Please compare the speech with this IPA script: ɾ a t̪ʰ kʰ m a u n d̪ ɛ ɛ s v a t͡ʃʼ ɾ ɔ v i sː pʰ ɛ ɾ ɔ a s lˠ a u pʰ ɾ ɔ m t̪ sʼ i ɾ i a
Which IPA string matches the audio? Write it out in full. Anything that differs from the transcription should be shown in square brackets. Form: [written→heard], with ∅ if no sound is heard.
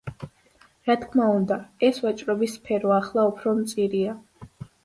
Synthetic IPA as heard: ɾ a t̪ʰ kʰ m a u n d̪ [ɛ→a] ɛ s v a t͡ʃʼ ɾ ɔ [v→b] i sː pʰ ɛ ɾ ɔ a [s→χ] lˠ a u pʰ ɾ ɔ m t̪ sʼ i ɾ i a